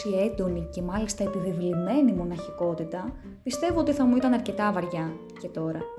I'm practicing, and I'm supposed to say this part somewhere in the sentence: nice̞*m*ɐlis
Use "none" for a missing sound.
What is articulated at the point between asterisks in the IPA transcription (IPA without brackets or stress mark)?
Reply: m